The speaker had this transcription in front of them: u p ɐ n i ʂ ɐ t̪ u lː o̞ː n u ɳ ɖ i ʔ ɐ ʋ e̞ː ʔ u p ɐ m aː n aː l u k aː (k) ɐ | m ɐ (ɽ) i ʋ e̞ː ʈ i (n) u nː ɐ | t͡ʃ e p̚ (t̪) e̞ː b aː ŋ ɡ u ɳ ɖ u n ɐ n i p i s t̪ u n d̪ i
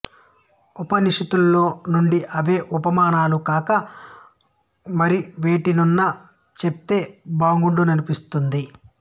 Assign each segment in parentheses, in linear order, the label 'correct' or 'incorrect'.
correct, incorrect: ɾ, correct, correct

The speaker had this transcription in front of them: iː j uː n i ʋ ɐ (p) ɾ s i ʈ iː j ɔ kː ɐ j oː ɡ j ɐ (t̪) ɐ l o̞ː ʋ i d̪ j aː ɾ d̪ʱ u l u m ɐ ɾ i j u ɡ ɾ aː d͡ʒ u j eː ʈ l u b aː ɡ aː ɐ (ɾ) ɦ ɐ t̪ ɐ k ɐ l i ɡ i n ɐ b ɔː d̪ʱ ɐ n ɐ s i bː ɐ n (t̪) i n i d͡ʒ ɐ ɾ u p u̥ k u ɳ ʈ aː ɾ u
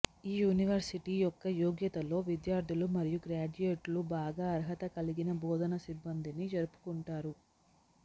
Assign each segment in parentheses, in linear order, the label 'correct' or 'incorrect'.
incorrect: none, correct, correct, incorrect: d̪

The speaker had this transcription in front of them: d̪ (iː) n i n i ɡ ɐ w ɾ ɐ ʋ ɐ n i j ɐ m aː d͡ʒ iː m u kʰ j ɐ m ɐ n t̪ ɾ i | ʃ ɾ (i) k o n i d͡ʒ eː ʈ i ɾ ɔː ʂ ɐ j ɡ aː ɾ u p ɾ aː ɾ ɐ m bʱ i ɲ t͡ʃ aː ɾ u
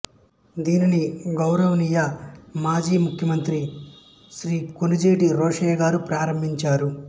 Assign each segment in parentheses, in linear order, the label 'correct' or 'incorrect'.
correct, incorrect: iː

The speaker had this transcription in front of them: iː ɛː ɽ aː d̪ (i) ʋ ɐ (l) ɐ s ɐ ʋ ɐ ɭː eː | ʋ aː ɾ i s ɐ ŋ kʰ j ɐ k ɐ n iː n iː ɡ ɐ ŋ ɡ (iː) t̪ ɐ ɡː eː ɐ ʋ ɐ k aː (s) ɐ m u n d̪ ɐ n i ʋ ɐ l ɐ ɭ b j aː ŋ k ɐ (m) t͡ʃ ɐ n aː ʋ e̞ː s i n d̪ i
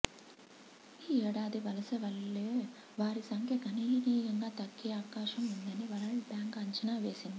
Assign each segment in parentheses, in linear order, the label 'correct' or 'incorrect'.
correct, correct, incorrect: aː, incorrect: ʃ, incorrect: ɲ

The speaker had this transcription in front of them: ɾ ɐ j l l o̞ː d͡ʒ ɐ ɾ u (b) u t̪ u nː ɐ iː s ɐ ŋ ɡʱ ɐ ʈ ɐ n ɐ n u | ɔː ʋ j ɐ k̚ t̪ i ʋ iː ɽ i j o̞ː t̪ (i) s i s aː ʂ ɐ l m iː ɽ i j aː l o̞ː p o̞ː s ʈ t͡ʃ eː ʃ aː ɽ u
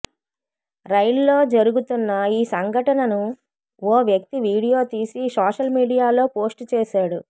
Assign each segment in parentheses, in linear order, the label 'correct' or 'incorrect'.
incorrect: ɡ, incorrect: iː

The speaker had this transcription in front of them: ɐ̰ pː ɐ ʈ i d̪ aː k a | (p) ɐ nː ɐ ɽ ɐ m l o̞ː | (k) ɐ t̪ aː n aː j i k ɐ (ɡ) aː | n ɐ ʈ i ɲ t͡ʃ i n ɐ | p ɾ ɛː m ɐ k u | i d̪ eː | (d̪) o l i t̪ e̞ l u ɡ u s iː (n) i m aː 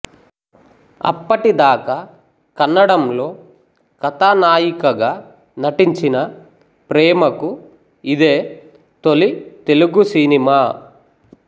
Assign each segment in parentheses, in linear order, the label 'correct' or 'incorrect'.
incorrect: k, correct, correct, incorrect: t̪, correct

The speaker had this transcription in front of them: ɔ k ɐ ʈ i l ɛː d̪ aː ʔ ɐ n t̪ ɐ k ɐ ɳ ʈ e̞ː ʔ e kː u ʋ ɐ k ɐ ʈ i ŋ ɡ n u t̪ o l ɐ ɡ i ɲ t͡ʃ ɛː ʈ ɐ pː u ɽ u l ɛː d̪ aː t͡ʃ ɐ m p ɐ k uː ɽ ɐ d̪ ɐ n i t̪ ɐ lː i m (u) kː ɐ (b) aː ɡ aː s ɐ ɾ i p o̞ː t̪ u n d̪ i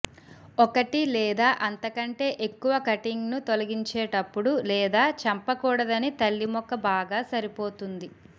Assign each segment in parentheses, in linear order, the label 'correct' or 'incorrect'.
incorrect: ɔ, correct

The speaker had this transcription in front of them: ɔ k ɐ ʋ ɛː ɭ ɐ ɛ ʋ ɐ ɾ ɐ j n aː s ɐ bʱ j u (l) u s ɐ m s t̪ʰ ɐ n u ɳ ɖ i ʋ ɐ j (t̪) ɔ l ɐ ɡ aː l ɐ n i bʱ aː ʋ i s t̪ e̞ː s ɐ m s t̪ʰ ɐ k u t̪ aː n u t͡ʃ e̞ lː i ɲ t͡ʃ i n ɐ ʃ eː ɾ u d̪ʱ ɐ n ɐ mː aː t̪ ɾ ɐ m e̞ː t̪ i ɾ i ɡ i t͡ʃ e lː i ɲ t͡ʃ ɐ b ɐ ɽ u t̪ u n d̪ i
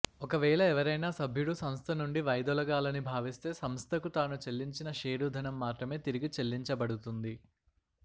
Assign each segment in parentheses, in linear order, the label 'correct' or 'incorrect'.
incorrect: ɽ, incorrect: d̪

